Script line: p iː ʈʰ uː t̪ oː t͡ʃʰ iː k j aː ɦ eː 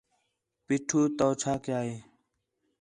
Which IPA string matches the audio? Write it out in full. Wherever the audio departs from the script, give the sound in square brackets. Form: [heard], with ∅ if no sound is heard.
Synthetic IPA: p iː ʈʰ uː t̪ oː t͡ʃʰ [aː] k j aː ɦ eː